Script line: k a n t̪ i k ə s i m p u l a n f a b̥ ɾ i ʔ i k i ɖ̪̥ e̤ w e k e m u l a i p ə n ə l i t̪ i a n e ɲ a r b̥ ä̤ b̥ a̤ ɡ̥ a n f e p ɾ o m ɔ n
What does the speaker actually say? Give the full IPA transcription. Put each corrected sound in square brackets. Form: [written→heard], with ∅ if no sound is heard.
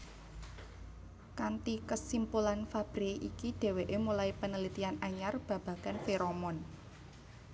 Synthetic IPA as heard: k a n t̪ i k ə s i m p u l a n f a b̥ ɾ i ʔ i k i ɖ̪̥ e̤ w e [k→ʔ] e m u l a i p ə n ə l i t̪ i a n [e→a] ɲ a r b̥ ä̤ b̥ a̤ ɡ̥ a n f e [p→∅] ɾ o m ɔ n